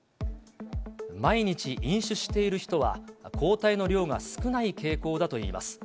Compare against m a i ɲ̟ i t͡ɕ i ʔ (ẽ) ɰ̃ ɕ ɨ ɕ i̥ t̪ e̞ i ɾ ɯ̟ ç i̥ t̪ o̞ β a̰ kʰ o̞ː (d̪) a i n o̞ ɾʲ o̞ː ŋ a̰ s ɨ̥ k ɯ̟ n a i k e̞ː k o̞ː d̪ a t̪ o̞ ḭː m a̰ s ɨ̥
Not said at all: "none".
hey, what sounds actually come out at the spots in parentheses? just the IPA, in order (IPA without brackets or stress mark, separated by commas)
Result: ĩ, t̪